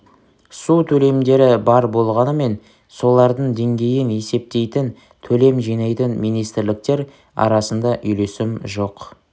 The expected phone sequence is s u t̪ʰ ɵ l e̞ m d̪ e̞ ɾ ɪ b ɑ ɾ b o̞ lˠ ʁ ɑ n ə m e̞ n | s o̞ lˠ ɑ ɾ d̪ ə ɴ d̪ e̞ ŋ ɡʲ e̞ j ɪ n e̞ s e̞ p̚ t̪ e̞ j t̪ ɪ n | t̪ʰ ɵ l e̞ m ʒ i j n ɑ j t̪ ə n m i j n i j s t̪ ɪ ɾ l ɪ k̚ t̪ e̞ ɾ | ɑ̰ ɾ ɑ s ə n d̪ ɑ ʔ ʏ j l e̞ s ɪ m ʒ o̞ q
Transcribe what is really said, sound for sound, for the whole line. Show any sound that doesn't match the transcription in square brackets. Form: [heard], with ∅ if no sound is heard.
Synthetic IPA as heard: s u t̪ʰ ɵ l e̞ m d̪ e̞ ɾ ɪ b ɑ ɾ b o̞ lˠ ʁ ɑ n ə m e̞ n | s o̞ lˠ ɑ ɾ d̪ ə ɴ d̪ e̞ ŋ ɡʲ e̞ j ɪ n e̞ s e̞ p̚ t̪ e̞ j t̪ ɪ n | t̪ʰ ɵ l e̞ m ʒ i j n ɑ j t̪ ə n m i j n i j s t̪ ɪ ɾ l ɪ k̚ t̪ e̞ ɾ | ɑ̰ ɾ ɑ s ə n d̪ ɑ ʔ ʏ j l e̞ s ɪ m ʒ o̞ q